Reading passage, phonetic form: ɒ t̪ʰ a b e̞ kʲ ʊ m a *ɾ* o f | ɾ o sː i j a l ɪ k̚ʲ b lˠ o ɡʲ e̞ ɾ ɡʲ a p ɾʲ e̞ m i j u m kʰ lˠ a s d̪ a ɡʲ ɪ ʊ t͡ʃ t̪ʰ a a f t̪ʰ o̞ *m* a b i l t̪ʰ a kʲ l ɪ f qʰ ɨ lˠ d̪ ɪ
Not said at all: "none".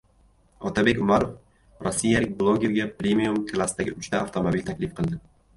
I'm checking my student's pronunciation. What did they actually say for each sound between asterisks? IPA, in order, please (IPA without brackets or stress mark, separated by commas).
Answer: ɾ, m